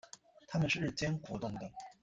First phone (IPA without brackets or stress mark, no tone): t̪ʰ